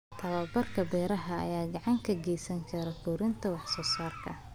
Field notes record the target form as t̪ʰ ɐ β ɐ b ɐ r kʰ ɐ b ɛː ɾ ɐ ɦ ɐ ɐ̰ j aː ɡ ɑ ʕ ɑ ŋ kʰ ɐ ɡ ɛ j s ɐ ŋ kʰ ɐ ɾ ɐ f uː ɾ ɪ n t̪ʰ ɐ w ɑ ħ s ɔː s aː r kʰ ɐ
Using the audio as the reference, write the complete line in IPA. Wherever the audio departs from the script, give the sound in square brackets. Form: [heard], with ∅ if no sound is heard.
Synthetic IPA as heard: t̪ʰ ɐ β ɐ b ɐ r kʰ ɐ b ɛː ɾ ɐ ɦ ɐ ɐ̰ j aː ɡ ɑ ʕ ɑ ŋ kʰ ɐ ɡ ɛ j s ɐ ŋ kʰ ɐ ɾ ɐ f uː ɾ ɪ n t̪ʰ ɐ w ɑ ħ s ɔː s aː r kʰ ɐ